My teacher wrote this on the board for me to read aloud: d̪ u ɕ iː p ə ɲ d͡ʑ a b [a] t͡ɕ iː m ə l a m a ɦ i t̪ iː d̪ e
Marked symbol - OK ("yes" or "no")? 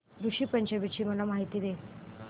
no